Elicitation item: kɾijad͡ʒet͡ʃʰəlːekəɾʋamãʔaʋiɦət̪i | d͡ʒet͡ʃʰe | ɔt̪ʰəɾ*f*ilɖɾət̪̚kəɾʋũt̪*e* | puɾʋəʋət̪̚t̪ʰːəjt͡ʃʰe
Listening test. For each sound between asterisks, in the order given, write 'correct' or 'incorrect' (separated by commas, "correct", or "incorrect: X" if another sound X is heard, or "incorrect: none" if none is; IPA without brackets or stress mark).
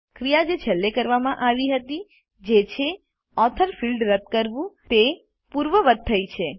correct, correct